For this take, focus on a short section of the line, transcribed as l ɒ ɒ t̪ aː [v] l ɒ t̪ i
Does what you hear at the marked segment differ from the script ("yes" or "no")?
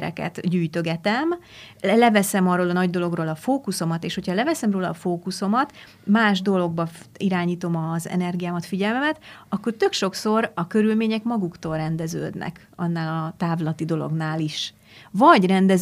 no